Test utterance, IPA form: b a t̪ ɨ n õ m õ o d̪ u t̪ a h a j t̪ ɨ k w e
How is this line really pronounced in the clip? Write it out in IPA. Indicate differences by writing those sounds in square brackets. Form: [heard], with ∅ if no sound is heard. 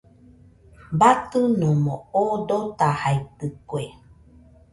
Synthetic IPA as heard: b a t̪ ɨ n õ m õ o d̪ [o] t̪ a h a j t̪ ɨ k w e